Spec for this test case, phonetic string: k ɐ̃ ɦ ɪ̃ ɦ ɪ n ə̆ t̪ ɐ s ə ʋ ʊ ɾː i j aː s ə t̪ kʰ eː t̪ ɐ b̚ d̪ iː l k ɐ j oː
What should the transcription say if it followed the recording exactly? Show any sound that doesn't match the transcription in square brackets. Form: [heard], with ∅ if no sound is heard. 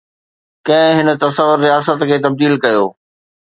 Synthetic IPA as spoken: k ɐ̃ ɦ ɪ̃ ɦ ɪ n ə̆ t̪ ɐ s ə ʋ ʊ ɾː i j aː s ə t̪ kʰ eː t̪ ɐ b̚ d̪ iː l k ɐ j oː